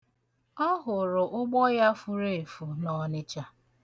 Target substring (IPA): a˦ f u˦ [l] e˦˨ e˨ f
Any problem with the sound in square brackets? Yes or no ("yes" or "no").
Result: yes